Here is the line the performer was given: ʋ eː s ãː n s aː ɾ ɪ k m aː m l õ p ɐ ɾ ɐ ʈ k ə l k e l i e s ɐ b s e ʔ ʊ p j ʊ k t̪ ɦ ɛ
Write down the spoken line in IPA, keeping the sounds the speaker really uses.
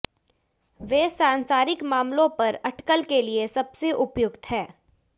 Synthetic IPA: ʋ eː s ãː n s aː ɾ ɪ k m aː m l õ p ɐ ɾ ɐ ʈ k ə l k e l i e s ɐ b s e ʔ ʊ p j ʊ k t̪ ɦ ɛː